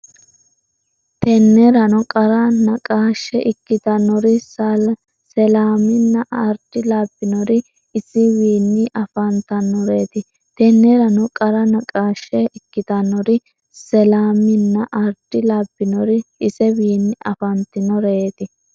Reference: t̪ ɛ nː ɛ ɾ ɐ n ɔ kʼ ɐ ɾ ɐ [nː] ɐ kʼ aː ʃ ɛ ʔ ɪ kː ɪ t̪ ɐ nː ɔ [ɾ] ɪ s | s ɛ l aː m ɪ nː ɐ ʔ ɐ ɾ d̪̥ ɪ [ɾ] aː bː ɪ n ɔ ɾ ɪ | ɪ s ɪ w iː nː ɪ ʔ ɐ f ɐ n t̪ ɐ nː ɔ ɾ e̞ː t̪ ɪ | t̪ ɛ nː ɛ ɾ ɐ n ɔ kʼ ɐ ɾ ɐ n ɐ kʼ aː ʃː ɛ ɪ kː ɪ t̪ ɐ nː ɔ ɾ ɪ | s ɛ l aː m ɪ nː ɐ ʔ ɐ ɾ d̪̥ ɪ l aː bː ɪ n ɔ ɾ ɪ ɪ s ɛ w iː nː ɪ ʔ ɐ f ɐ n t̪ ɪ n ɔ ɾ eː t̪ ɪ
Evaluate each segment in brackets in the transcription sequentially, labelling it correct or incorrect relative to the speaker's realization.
incorrect, correct, incorrect

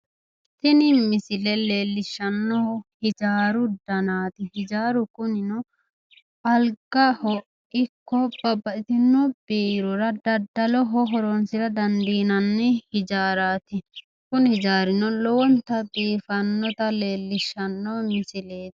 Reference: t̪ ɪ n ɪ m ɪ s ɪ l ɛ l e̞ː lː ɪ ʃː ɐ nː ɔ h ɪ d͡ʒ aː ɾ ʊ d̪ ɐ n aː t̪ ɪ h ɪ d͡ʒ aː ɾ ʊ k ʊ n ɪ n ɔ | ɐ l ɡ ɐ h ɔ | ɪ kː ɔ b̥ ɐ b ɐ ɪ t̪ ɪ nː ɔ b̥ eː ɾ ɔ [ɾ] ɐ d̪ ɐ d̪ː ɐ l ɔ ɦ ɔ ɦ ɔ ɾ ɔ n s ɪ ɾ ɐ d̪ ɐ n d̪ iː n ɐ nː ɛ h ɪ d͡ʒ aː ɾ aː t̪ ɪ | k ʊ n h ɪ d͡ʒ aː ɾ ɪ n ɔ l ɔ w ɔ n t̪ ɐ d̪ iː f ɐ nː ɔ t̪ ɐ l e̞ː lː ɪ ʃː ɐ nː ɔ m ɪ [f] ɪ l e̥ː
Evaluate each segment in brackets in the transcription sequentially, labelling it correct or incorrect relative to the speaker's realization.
correct, incorrect

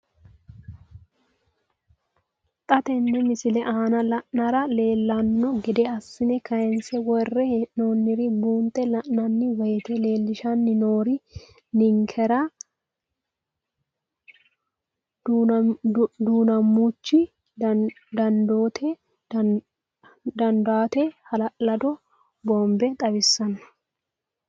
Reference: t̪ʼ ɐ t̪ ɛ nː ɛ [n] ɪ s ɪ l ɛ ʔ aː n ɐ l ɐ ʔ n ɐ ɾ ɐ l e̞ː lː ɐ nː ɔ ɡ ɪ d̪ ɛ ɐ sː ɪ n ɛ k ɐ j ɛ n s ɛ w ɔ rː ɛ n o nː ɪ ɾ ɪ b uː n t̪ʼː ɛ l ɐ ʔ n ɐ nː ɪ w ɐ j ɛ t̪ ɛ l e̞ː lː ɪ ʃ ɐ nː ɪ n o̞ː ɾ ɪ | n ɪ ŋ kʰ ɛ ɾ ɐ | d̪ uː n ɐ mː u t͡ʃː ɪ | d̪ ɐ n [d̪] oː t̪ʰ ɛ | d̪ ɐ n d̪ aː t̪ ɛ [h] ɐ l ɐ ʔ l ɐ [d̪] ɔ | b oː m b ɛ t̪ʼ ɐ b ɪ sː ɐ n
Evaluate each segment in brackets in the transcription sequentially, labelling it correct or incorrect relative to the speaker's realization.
incorrect, correct, correct, correct

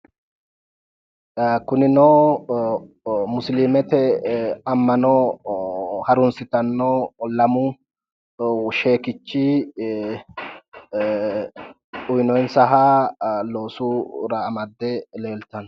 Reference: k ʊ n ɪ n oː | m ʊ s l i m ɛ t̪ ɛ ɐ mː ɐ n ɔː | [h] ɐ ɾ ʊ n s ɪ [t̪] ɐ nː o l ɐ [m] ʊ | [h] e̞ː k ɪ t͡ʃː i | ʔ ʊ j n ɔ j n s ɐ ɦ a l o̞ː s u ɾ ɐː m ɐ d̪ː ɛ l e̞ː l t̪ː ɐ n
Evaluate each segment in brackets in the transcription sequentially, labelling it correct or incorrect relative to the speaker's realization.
correct, correct, correct, incorrect

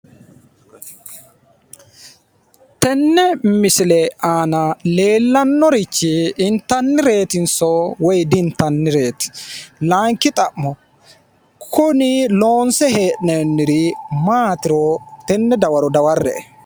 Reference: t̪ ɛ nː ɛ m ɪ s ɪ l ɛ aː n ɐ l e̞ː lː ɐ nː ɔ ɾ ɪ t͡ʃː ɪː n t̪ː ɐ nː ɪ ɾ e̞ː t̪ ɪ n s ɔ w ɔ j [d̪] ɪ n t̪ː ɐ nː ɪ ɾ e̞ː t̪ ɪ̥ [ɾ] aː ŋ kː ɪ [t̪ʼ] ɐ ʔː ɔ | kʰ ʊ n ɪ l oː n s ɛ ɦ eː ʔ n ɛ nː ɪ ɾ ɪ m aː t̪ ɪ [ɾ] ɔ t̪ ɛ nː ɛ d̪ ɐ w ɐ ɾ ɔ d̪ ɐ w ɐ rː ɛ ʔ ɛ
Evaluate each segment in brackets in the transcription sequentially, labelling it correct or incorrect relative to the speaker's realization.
correct, incorrect, correct, correct

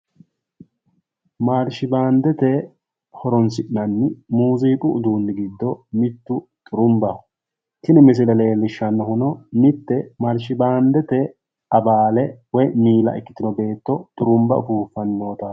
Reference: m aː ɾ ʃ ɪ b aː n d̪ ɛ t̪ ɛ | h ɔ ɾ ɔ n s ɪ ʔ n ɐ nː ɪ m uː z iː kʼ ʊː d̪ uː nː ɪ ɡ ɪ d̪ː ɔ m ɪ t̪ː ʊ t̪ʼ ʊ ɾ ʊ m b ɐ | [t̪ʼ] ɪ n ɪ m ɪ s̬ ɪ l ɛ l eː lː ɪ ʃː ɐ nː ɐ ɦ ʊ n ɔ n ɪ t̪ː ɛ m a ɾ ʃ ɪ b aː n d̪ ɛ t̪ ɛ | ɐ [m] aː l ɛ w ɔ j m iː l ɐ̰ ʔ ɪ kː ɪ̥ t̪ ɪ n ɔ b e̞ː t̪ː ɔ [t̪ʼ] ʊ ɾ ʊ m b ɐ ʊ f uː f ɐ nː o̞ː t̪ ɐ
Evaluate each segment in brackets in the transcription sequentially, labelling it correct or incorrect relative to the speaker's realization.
incorrect, incorrect, correct

